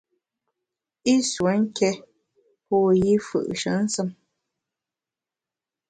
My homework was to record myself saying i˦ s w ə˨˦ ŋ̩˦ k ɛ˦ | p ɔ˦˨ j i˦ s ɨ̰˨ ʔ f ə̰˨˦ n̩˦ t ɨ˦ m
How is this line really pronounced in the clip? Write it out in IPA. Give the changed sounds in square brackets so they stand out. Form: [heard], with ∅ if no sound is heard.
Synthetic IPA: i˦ s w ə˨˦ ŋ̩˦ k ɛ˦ | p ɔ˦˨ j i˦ [f] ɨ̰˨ ʔ [ʃ] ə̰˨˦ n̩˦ [s] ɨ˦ m